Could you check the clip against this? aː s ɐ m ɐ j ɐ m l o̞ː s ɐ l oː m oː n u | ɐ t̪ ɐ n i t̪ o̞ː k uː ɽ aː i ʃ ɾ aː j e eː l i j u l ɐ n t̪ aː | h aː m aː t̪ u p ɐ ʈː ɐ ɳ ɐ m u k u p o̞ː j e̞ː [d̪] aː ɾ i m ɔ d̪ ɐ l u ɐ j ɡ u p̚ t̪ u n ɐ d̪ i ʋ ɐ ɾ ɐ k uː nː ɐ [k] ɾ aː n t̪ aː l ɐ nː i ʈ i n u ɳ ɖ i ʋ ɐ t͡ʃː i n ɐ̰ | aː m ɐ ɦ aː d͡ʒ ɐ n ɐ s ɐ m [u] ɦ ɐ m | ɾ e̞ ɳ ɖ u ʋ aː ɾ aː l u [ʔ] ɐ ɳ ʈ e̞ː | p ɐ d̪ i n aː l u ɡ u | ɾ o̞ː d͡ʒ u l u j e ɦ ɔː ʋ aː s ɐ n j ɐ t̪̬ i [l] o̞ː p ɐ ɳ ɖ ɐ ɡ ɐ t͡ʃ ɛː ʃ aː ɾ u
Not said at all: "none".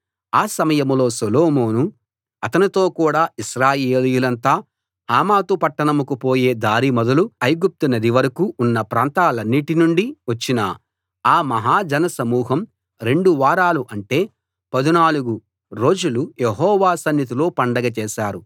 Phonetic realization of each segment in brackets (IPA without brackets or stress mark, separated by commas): d̪, p, uː, ʔ, l